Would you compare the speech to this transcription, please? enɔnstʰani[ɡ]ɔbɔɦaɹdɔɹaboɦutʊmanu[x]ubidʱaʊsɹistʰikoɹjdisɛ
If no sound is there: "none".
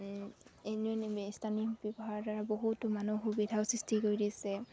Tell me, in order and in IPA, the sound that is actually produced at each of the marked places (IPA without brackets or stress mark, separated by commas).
b, x